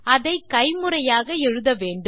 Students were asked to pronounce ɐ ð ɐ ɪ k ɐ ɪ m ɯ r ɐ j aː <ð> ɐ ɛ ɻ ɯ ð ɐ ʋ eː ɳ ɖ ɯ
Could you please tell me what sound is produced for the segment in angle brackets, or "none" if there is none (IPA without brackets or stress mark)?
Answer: ɣ